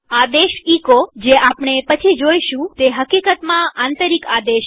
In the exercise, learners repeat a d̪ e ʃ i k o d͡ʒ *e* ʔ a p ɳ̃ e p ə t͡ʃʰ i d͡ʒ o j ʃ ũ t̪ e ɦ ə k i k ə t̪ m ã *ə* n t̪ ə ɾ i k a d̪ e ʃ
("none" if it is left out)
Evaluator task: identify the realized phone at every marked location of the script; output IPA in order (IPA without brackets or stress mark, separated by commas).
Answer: e, a